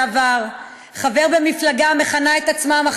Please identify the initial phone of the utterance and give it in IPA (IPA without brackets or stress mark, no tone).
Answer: v